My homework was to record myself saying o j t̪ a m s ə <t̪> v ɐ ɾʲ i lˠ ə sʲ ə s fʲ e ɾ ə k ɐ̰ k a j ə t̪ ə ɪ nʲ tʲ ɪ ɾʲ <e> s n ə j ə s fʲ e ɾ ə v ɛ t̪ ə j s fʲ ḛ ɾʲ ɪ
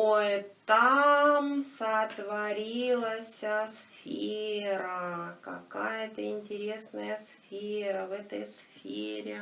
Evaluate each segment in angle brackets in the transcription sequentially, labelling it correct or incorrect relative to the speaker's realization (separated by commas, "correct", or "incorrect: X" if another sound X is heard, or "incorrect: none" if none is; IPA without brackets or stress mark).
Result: correct, correct